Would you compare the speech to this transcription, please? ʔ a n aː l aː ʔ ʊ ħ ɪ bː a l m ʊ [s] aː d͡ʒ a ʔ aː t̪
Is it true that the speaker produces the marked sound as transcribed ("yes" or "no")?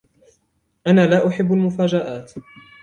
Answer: no